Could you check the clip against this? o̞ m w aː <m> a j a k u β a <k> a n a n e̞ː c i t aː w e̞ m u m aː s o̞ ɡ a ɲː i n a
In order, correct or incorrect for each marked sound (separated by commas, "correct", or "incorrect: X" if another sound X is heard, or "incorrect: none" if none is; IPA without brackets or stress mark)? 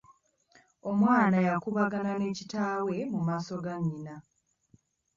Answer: incorrect: n, incorrect: ɡ